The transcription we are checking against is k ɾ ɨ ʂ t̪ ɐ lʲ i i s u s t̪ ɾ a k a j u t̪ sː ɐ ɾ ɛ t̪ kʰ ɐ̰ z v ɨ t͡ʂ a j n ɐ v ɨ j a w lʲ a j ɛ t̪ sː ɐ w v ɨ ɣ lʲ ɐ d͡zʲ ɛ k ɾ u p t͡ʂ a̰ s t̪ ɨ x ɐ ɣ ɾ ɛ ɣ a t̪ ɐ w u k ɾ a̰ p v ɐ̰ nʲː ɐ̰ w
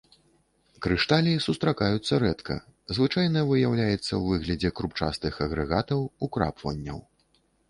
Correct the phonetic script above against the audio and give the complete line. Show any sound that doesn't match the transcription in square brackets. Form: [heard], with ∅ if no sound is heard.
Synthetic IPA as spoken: k ɾ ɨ ʂ t̪ [a] lʲ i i s u s t̪ ɾ a k a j u t̪ sː ɐ ɾ ɛ t̪ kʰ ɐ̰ z v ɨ t͡ʂ a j n ɐ v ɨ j a w lʲ a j ɛ t̪ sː ɐ w v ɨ ɣ lʲ ɐ d͡zʲ ɛ k ɾ u p t͡ʂ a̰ s t̪ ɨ x ɐ ɣ ɾ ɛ ɣ a t̪ ɐ w u k ɾ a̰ p v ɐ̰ nʲː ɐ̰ w